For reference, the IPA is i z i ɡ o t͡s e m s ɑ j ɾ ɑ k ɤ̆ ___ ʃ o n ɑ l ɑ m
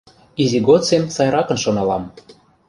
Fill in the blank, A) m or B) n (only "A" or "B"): B